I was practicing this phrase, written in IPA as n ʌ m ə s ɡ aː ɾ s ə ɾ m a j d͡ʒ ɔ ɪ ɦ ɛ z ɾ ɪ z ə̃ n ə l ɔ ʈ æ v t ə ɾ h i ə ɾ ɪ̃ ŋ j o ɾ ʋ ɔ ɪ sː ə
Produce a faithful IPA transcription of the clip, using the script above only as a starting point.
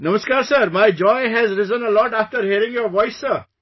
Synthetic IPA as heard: n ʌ m ə s k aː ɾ s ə ɾ m a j d͡ʒ ɔ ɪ ɦ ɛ z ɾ ɪ z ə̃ n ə l ɔ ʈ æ f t ə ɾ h i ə ɾ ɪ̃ ŋ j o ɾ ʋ ɔ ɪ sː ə